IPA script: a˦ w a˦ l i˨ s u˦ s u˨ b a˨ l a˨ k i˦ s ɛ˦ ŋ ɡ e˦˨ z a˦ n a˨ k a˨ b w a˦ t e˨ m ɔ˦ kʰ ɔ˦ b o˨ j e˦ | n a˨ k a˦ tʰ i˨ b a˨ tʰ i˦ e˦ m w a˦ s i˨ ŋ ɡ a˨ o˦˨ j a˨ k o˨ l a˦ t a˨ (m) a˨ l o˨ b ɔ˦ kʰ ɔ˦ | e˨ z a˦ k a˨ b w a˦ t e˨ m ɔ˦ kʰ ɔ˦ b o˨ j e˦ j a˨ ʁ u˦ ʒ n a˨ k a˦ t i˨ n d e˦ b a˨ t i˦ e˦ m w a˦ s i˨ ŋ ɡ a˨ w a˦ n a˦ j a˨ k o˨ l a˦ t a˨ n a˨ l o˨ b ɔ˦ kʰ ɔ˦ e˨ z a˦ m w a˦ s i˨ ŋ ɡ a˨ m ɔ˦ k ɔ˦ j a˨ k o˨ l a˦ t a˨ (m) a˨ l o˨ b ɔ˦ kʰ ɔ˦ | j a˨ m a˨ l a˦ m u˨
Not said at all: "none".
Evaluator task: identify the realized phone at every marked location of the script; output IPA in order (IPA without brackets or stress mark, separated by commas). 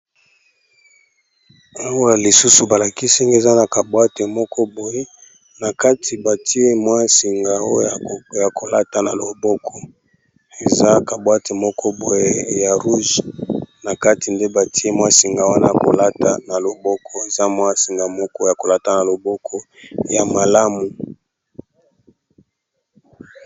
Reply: n, n